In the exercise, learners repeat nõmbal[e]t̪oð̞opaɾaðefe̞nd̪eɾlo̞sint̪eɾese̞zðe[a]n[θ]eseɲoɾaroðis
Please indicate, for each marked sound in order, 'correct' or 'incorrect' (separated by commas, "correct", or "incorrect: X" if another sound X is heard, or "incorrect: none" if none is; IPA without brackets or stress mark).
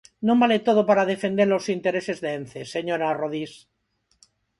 correct, incorrect: e, correct